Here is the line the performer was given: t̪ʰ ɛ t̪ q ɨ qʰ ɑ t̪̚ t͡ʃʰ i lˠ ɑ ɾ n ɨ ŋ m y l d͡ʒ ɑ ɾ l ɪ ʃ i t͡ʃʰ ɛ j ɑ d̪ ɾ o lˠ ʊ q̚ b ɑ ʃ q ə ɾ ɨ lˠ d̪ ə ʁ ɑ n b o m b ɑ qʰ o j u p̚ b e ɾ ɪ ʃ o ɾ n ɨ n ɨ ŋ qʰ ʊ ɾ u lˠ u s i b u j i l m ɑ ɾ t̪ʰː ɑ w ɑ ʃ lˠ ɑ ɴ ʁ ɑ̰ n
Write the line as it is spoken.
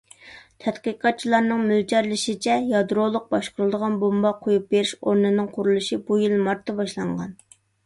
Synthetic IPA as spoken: t̪ʰ ɛ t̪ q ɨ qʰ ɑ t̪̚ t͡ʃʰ i lˠ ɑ ɾ n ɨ ŋ m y l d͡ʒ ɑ ɾ l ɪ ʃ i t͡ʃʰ ɛ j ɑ d̪ ɾ o lˠ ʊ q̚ b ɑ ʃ q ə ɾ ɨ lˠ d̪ ə ʁ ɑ n b o m b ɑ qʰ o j u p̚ b e ɾ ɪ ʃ o ɾ n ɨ n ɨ ŋ qʰ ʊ ɾ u lˠ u ʃ i b u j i l m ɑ ɾ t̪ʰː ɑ b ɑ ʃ lˠ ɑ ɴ ʁ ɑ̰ n

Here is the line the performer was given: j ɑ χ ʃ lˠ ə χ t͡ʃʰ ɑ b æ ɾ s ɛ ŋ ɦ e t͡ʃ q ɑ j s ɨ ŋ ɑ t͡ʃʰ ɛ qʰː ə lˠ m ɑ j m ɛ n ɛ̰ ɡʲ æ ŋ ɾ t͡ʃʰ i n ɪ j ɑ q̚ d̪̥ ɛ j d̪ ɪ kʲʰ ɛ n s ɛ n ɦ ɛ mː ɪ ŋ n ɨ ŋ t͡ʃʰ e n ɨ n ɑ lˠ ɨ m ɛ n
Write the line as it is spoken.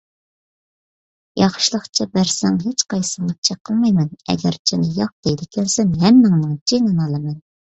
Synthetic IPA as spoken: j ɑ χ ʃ lˠ ə χ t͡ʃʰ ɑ b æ ɾ s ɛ ŋ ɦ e t͡ʃ q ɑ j s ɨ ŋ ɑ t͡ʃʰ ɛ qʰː ə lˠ m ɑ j m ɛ n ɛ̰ ɡʲ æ ɾ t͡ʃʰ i n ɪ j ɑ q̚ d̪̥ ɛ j d̪ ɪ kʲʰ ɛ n s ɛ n ɦ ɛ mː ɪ ŋ n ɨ ŋ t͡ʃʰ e n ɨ n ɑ lˠ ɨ m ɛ n

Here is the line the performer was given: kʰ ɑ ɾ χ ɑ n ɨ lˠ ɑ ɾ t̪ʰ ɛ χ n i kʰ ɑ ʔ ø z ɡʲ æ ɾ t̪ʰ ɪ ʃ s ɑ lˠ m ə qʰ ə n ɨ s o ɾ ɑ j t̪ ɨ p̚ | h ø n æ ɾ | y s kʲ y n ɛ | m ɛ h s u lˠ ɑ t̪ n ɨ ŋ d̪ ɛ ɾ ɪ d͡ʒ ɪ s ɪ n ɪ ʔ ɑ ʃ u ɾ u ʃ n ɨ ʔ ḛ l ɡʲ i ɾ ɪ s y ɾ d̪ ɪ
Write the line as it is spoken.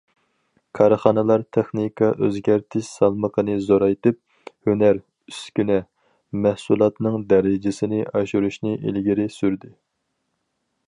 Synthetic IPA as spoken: kʰ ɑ ɾ χ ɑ n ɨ lˠ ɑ ɾ t̪ʰ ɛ χ n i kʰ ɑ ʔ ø z ɡʲ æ ɾ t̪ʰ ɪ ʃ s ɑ lˠ m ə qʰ ə n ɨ z o ɾ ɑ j t̪ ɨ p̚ | h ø n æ ɾ | y s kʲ y n ɛ | m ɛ h s u lˠ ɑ t̪ n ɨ ŋ d̪ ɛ ɾ ɪ d͡ʒ ɪ s ɪ n ɪ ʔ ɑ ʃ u ɾ u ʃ n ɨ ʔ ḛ l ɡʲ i ɾ ɪ s y ɾ d̪ ɪ

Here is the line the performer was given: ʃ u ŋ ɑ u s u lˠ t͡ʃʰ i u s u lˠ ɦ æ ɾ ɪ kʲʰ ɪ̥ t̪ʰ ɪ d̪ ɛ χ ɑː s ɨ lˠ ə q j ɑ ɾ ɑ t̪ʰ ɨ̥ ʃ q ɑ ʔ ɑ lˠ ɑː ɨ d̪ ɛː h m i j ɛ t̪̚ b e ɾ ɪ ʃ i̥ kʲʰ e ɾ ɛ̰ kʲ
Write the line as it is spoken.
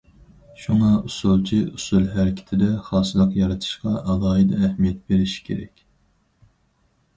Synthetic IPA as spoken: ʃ u ŋ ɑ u s u lˠ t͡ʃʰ i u s u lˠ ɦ æ ɾ ɪ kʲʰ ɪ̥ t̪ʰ ɪ d̪ ɛ χ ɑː s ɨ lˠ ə q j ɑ ɾ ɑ t̪ʰ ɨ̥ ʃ q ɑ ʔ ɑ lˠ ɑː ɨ d̪ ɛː h m i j ɛ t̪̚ b e ɾ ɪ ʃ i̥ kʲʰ e ɾ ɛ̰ kʲ

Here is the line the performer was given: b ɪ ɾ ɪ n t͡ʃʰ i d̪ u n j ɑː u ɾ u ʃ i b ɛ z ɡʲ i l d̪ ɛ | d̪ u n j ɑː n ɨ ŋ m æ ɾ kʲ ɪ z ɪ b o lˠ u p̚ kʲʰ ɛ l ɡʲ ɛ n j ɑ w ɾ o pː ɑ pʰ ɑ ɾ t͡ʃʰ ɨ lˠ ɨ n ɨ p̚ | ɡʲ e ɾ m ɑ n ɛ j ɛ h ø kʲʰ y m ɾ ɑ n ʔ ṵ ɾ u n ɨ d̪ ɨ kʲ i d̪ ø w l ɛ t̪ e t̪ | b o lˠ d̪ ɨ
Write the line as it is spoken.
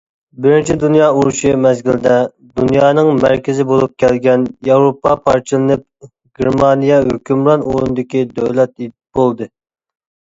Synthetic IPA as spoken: b ɪ ɾ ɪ n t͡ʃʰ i d̪ u n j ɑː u ɾ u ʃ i m ɛ z ɡʲ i l d̪ ɛ | d̪ u n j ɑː n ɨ ŋ m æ ɾ kʲ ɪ z ɪ b o lˠ u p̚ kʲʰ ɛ l ɡʲ ɛ n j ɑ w ɾ o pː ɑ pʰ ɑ ɾ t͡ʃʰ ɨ lˠ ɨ n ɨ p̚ | ɡʲ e ɾ m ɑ n i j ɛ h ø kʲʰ y m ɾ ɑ n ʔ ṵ ɾ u n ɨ d̪ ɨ kʲ i d̪ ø w l ɛ t̪ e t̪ | b o lˠ d̪ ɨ

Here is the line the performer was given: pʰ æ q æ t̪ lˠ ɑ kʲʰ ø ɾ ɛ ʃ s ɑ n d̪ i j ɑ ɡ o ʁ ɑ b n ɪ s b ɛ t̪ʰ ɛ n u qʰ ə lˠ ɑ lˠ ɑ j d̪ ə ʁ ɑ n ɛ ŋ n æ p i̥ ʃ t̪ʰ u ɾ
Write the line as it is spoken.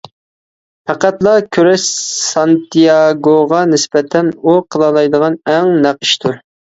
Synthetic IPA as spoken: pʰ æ q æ t̪ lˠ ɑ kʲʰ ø ɾ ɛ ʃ s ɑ n t̪ i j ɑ ɡ o ʁ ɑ n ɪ s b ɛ t̪ʰ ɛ n u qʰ ə lˠ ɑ lˠ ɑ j d̪ ə ʁ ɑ n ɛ ŋ n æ q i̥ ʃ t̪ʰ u ɾ

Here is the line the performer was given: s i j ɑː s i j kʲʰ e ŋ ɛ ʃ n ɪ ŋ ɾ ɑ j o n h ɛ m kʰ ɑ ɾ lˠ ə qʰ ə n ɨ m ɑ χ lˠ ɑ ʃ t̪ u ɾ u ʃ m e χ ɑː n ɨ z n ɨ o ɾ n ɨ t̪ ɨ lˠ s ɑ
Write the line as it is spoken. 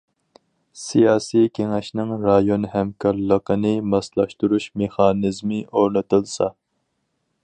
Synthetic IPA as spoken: s i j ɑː s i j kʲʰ e ŋ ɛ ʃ n ɪ ŋ ɾ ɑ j o n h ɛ m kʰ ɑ ɾ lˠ ə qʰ ə n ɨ m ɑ s lˠ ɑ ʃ t̪ u ɾ u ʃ m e χ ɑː n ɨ z m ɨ o ɾ n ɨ t̪ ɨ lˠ s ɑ

